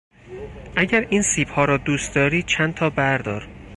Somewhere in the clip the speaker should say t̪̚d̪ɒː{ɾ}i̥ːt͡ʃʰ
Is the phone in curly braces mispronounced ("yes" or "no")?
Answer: no